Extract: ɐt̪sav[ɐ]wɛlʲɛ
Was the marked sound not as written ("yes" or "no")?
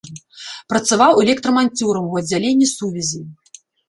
yes